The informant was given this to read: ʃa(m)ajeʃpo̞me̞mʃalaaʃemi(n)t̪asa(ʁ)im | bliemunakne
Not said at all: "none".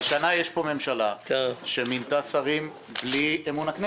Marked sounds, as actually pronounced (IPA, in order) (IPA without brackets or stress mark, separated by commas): n, n, ʁ